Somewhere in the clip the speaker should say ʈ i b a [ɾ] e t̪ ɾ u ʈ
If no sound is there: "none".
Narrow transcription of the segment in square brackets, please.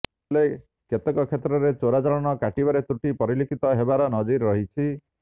ɾ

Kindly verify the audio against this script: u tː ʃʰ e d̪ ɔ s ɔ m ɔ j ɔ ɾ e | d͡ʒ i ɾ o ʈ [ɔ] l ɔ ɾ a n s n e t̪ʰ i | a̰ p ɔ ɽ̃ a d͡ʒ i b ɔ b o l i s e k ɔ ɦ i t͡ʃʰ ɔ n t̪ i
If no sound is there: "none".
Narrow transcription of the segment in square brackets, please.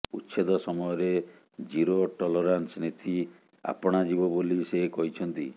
ɔ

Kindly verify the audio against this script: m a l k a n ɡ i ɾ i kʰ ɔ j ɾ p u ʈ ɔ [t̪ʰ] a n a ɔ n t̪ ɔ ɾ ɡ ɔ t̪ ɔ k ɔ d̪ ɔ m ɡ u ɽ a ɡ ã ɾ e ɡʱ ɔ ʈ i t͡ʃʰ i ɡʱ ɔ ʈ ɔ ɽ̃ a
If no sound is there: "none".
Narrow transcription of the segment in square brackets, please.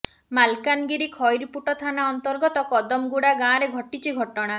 t̪ʰ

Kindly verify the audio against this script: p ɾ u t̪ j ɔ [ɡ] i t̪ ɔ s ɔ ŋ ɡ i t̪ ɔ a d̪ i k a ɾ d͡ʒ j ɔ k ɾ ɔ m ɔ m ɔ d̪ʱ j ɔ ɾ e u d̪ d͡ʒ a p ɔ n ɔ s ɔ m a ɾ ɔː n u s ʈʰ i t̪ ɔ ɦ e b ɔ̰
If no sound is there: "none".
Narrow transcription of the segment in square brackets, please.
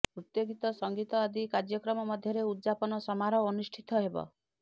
ɡ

